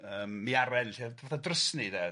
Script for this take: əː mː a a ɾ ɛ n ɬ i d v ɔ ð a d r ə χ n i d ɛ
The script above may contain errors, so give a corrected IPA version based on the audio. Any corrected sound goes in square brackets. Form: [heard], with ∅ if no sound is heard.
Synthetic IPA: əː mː [i] a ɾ ɛ n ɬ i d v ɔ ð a d r ə [s] n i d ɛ